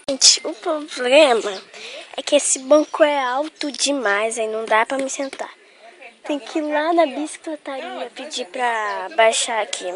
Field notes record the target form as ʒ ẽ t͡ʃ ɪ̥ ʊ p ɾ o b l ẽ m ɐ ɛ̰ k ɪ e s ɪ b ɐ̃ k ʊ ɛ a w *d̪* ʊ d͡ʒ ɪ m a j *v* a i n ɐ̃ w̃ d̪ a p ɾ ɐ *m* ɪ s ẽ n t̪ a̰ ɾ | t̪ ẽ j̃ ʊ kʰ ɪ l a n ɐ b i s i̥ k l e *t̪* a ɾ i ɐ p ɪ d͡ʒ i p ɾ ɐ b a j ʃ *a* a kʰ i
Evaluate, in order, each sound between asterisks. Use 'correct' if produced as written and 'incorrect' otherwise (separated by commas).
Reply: incorrect, incorrect, correct, correct, correct